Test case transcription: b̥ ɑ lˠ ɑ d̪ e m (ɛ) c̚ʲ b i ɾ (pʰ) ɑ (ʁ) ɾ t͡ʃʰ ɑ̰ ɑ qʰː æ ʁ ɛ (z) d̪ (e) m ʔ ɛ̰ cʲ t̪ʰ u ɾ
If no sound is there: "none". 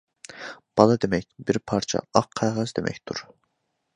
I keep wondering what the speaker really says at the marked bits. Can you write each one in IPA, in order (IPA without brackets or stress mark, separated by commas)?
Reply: ɛ, pʰ, none, z, e